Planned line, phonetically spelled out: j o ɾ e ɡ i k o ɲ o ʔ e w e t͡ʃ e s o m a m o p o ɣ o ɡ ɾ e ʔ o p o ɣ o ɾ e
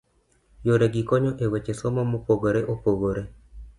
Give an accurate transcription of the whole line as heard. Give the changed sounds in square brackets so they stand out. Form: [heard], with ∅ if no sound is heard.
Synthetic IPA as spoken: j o ɾ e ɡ i k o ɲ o ʔ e w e t͡ʃ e s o m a m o p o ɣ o [∅] ɾ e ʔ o p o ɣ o ɾ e

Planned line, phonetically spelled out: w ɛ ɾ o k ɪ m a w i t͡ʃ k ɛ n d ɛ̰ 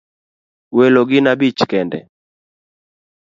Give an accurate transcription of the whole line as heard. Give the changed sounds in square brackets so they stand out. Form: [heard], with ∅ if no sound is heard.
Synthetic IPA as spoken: w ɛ [l] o [ɡ] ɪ [n] a [b] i t͡ʃ k ɛ n d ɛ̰

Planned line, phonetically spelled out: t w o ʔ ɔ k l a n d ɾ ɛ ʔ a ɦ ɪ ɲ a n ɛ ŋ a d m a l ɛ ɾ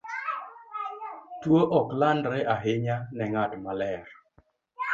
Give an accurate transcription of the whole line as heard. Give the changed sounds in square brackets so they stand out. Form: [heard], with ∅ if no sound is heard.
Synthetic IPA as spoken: t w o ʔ ɔ k l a n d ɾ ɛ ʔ a ɦ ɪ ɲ a n ɛ ŋ a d m a l ɛ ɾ

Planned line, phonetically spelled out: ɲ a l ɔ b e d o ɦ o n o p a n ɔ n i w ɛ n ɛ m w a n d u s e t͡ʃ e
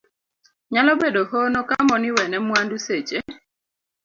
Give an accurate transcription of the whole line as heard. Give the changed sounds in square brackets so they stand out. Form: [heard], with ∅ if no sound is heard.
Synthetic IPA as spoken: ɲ a l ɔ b e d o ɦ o n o [k] a [m] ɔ n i w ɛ n ɛ m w a n d u s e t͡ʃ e

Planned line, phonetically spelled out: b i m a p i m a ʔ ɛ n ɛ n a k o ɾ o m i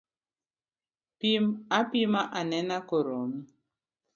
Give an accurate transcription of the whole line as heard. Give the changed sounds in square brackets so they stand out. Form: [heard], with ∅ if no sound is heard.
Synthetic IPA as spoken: [p] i m a p i m a ʔ [a] n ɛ n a k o ɾ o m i

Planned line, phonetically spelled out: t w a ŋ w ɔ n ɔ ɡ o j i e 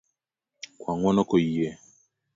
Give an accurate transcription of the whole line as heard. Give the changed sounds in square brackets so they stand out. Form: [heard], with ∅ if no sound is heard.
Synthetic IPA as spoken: [k] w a ŋ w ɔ n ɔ [k] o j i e

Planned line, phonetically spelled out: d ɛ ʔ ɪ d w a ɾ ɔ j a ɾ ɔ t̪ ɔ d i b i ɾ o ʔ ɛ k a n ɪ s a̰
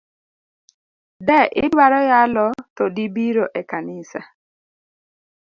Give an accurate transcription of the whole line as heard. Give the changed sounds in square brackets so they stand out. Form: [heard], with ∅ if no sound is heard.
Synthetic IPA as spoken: d ɛ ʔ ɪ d w a ɾ ɔ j a [l] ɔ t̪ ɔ d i b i ɾ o ʔ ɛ k a n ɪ s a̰

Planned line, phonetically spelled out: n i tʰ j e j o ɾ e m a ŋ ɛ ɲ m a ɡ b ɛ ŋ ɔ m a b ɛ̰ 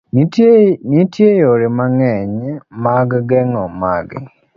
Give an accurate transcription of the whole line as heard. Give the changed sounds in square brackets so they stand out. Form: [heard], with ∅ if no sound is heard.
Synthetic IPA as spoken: n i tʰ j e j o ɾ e m a ŋ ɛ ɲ m a ɡ [ɡ] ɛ ŋ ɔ m a [ɡ] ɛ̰

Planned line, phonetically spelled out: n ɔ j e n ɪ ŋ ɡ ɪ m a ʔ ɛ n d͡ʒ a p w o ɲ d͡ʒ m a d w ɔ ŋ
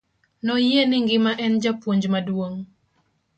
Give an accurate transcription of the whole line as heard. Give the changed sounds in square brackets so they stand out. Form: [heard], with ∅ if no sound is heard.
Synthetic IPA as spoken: n ɔ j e n ɪ ŋ ɡ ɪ m a ʔ ɛ n d͡ʒ a p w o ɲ d͡ʒ m a d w [o] ŋ

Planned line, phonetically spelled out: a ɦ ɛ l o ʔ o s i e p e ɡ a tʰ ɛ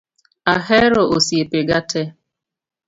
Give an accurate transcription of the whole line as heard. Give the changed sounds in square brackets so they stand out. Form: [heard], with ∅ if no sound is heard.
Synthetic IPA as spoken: a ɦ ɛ [ɾ] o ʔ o s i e p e ɡ a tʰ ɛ

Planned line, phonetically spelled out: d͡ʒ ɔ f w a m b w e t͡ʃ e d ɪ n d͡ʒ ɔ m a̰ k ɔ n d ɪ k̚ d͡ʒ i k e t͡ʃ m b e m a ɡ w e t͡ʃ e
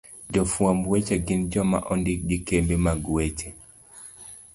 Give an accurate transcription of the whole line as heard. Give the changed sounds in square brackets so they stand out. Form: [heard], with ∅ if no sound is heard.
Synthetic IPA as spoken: d͡ʒ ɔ f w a m b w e t͡ʃ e [ɡ] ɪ n d͡ʒ ɔ m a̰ [ʔ] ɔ n d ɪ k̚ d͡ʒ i k e [∅] m b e m a ɡ w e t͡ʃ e

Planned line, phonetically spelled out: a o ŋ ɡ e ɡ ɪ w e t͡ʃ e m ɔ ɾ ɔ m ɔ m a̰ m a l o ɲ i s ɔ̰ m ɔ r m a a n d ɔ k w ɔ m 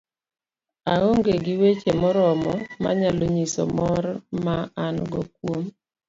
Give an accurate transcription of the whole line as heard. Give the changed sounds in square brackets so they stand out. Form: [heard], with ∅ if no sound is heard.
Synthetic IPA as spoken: a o ŋ ɡ e ɡ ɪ w e t͡ʃ e m ɔ ɾ ɔ m ɔ m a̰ [ɲ] a l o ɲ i s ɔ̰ m ɔ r m a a n [ɡ] ɔ k w [o] m

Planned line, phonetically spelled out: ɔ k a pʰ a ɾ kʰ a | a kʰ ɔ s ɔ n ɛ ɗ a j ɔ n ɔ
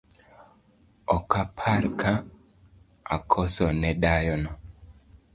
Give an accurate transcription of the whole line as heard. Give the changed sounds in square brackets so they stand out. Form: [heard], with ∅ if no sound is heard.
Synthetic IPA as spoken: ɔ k a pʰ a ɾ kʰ a | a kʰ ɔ s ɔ n ɛ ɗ a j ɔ n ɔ

